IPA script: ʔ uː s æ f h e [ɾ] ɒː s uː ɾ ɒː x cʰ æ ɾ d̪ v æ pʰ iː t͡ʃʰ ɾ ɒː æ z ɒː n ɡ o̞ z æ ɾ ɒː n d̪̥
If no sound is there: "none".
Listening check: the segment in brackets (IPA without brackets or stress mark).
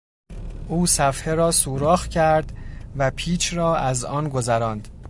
ɾ